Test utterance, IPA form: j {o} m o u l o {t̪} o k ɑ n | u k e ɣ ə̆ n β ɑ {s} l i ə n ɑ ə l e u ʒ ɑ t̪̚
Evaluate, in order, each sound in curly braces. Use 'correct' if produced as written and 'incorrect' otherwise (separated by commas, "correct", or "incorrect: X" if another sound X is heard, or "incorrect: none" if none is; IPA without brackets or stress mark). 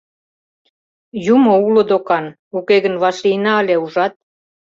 incorrect: u, incorrect: d̪, incorrect: ʃ